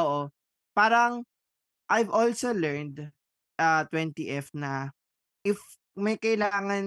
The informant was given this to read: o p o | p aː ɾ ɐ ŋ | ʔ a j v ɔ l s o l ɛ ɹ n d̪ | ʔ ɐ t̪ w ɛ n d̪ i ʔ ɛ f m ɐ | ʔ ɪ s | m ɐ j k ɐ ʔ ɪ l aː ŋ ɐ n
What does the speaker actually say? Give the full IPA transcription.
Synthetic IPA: o ʔ o | p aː ɾ ɐ ŋ | ʔ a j v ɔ l s o l ɛ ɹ n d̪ | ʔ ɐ t̪ w ɛ n t̪ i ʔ ɛ f n ɐ | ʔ ɪ f | m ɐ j k ɐ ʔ ɪ l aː ŋ ɐ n